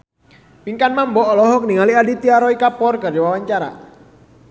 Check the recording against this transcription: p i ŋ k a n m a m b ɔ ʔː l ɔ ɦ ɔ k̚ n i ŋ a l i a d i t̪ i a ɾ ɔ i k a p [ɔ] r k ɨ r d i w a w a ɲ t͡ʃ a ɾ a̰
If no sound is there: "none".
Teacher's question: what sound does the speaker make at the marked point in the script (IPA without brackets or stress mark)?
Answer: ɔ